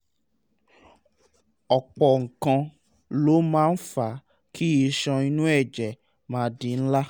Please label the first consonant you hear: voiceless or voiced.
voiceless